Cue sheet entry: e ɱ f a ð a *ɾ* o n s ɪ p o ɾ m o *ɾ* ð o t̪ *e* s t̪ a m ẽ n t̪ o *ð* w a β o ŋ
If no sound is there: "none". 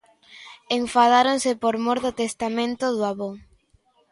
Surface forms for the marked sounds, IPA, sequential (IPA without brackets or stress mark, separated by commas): ɾ, ɾ, e, ð